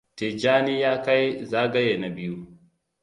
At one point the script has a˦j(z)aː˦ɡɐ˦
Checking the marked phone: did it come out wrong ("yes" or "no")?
no